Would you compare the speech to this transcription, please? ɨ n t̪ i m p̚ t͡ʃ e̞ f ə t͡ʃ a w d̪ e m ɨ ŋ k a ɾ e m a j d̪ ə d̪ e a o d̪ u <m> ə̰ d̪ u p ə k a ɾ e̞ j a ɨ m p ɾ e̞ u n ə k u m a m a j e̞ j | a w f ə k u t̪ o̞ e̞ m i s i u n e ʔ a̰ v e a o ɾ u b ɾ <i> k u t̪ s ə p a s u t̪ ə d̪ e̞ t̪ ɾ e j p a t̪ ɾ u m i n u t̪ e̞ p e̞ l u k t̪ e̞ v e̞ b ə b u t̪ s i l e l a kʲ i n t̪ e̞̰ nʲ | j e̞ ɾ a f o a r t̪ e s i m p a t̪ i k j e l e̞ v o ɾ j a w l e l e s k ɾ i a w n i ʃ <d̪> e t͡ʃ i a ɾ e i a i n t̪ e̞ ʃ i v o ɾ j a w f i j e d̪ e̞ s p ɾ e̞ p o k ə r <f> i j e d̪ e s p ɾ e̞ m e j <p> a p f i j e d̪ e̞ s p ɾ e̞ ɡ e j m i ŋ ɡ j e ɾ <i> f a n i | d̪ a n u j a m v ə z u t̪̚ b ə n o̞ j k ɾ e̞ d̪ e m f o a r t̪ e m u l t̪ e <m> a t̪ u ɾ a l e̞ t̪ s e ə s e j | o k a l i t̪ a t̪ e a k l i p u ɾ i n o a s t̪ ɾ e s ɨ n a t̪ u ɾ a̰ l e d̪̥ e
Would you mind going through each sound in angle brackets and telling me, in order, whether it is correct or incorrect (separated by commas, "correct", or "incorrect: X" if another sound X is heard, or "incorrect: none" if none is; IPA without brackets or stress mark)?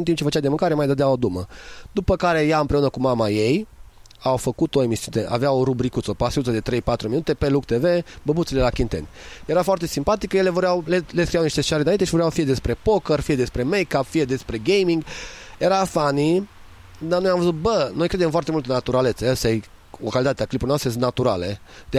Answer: correct, correct, incorrect: t̪, correct, incorrect: k, incorrect: a, incorrect: n